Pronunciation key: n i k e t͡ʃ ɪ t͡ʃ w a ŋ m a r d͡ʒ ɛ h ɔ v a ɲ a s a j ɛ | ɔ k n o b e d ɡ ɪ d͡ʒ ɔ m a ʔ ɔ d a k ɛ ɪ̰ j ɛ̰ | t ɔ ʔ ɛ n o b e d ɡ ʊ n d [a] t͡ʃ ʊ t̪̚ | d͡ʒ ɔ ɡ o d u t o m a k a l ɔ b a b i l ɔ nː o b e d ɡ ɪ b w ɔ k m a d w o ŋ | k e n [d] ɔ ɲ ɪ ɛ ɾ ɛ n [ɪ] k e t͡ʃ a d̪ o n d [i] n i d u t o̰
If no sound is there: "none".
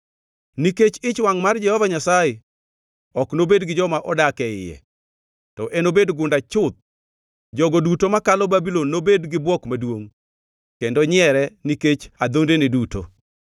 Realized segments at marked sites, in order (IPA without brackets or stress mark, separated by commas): a, d, i, e